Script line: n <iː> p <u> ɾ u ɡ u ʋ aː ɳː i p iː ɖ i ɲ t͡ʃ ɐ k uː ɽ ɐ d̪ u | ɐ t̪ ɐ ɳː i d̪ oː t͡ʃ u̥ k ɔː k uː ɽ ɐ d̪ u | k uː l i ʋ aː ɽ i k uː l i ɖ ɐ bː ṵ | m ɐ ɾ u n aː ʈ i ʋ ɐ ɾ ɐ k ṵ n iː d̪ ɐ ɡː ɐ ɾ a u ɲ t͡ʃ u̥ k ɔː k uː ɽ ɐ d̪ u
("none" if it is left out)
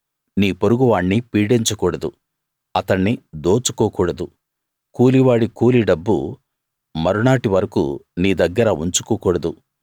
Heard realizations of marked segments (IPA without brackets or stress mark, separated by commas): iː, o